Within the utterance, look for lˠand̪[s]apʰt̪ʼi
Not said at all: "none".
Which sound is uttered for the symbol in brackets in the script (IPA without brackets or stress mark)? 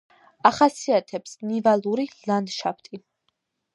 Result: ʃ